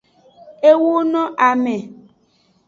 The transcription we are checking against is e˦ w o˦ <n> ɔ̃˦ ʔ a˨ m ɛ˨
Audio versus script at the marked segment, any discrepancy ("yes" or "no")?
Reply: no